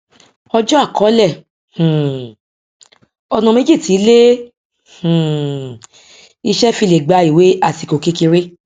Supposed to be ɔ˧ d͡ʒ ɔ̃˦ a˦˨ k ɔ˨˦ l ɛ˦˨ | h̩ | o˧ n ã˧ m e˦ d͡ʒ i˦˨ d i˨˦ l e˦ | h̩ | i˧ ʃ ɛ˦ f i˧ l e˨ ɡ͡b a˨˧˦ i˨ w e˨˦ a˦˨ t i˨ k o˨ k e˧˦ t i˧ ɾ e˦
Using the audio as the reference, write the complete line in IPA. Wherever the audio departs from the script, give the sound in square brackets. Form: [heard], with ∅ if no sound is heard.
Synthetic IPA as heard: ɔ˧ d͡ʒ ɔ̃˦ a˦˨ k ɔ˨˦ l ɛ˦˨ | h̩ | [ɔ˧] n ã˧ m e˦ d͡ʒ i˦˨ [t] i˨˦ l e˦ | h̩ | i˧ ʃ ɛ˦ f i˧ l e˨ ɡ͡b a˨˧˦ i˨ w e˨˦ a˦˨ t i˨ k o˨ k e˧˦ [k] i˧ ɾ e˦